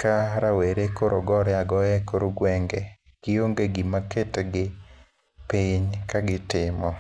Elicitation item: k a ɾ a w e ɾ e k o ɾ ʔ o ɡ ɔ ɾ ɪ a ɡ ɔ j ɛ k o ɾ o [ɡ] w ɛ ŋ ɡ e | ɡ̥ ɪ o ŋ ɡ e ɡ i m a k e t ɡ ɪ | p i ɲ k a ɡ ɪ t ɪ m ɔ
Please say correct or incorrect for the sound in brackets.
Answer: correct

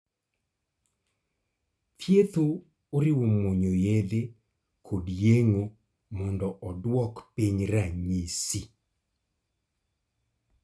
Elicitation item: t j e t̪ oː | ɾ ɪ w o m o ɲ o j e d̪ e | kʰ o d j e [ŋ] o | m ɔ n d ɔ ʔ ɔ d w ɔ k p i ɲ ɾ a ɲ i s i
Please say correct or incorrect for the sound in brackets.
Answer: correct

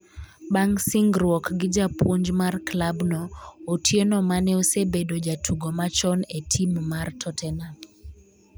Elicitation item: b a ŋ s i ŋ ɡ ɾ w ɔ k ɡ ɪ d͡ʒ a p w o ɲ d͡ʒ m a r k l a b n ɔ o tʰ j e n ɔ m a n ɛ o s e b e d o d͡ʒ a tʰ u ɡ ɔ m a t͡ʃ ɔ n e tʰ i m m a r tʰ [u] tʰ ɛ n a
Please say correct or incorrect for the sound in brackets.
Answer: incorrect: ɔ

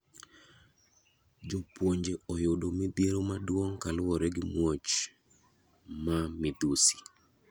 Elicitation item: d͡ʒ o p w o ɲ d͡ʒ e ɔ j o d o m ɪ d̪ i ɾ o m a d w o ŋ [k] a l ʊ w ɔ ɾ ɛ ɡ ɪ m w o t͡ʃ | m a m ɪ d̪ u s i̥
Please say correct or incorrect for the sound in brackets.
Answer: correct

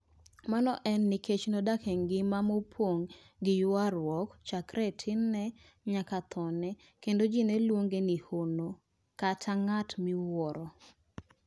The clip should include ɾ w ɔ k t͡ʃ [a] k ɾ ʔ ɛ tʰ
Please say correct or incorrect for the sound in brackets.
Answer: correct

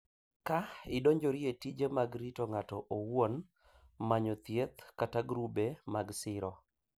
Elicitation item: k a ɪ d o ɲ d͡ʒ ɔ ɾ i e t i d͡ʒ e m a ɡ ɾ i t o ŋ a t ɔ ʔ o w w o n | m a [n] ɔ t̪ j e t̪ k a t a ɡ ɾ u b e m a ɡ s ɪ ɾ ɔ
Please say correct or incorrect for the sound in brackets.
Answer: incorrect: ɲ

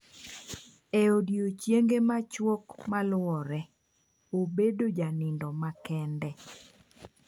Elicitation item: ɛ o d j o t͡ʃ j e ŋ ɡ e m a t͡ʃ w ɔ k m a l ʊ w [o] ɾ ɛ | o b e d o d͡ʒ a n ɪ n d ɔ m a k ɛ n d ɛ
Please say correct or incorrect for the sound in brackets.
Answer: incorrect: ɔ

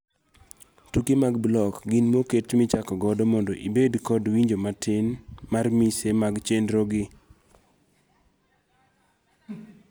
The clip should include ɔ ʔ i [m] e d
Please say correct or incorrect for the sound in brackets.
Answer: incorrect: b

